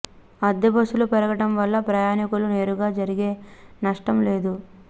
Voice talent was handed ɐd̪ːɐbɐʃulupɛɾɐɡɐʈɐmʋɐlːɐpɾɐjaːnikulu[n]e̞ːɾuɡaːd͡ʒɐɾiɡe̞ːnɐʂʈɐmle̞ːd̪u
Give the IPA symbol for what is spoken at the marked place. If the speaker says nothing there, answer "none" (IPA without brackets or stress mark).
n